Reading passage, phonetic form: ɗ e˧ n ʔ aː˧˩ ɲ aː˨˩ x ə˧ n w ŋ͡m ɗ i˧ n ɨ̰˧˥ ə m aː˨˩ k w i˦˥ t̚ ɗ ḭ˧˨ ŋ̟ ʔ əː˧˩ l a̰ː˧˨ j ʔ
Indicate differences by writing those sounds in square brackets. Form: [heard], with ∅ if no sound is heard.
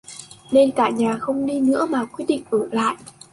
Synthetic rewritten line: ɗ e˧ n [k] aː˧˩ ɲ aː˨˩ x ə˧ [∅] w ŋ͡m ɗ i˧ n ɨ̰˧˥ ə m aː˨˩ k w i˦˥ t̚ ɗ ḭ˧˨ ŋ̟ ʔ əː˧˩ l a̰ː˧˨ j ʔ